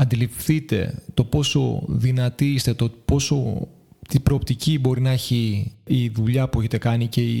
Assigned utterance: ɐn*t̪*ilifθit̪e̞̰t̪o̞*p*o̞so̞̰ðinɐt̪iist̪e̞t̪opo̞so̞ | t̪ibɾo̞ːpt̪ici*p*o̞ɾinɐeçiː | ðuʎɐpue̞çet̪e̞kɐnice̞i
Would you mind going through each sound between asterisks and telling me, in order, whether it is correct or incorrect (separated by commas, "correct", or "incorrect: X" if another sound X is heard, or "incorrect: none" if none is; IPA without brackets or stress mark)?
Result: incorrect: d̪, correct, incorrect: b